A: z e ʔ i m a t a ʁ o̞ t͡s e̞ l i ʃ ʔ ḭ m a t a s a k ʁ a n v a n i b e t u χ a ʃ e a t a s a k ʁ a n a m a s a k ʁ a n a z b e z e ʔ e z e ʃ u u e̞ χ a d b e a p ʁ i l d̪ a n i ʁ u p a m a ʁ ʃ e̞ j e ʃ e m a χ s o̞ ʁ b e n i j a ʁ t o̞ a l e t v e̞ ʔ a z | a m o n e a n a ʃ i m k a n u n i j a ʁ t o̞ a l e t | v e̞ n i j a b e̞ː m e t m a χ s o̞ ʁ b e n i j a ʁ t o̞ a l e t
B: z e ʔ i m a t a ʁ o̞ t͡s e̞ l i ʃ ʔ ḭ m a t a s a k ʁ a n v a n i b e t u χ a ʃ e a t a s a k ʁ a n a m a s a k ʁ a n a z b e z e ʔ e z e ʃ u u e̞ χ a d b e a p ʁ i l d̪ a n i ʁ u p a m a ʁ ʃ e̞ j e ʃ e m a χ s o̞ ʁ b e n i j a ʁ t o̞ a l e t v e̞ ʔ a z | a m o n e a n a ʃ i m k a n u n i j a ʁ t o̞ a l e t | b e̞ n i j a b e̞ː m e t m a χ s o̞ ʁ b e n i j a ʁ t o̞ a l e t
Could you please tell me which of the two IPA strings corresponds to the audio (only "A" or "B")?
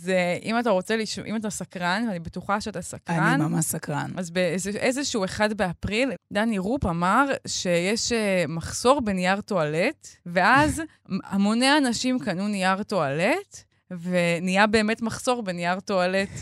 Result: A